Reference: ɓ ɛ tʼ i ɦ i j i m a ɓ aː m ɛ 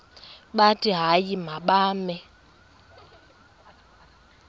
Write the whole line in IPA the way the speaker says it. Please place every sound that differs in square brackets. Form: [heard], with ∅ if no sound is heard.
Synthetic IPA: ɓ [a] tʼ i ɦ [a] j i m a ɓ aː m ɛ